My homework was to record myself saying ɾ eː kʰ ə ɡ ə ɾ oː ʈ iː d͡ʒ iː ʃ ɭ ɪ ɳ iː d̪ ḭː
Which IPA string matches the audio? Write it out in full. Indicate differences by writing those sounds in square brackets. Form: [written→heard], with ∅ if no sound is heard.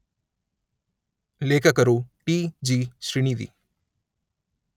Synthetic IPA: [ɾ→l] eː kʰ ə [ɡ→k] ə ɾ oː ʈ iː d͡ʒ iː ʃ [ɭ→ɾ] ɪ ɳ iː d̪ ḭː